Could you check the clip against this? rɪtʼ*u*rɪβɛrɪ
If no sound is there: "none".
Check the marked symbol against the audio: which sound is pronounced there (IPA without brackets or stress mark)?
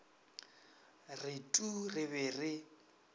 u